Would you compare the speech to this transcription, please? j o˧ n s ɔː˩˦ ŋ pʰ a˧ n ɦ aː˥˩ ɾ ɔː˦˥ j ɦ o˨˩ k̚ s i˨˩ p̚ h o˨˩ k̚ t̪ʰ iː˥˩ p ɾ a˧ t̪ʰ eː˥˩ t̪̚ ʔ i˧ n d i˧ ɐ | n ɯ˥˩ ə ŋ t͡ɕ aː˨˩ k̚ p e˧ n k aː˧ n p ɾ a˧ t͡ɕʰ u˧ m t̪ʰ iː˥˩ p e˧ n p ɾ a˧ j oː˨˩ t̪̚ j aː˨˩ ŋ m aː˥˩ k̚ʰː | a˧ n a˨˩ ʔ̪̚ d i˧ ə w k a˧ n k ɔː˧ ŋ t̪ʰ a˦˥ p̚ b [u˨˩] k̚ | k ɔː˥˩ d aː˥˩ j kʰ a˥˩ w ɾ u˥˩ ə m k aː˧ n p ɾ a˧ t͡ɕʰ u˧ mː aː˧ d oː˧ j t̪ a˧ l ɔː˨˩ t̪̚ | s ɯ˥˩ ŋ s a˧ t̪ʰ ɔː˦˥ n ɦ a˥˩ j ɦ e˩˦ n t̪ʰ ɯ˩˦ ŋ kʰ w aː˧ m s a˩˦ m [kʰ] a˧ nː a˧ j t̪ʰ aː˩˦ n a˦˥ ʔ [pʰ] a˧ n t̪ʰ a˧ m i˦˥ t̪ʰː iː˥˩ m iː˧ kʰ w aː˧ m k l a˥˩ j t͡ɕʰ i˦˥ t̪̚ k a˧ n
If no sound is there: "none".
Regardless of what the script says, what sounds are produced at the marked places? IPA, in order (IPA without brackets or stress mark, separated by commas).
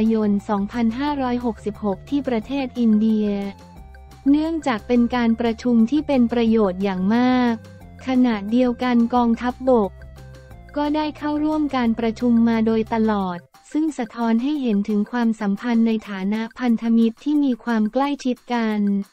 o˨˩, pʰ, pʰ